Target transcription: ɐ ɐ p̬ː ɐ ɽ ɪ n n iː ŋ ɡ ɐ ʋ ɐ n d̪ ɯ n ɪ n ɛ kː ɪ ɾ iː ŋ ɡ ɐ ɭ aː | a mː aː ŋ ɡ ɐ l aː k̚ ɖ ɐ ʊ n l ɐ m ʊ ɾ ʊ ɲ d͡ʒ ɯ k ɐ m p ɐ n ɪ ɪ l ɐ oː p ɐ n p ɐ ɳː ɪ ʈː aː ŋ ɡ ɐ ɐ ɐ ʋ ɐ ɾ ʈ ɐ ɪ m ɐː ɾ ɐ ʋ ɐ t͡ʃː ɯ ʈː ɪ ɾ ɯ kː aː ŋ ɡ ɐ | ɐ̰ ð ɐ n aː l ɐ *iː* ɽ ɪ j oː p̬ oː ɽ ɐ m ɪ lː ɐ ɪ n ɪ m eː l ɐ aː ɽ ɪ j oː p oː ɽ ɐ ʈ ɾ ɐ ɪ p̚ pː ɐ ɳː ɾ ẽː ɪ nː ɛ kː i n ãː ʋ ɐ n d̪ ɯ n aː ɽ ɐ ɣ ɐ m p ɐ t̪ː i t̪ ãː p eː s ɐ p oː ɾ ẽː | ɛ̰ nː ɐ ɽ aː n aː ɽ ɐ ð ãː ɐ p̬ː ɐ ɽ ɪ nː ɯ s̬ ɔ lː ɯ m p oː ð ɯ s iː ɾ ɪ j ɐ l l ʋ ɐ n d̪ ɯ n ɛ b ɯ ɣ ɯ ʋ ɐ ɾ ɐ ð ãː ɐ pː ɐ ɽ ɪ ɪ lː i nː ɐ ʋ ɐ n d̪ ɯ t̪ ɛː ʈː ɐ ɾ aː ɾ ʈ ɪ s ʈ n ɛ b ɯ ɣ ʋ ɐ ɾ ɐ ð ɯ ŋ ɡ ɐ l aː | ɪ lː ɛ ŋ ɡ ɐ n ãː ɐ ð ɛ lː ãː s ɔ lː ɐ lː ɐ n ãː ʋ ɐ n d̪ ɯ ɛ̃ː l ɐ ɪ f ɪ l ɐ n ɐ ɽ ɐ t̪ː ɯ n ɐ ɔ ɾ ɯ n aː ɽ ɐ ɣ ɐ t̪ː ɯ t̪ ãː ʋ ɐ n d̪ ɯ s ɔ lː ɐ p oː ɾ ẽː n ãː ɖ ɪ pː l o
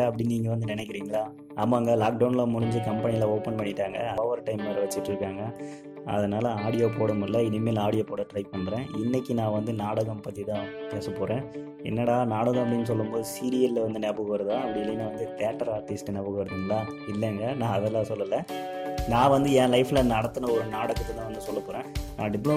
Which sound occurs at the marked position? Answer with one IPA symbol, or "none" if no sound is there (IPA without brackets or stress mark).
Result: aː